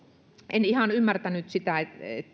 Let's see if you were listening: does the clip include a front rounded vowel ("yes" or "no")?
yes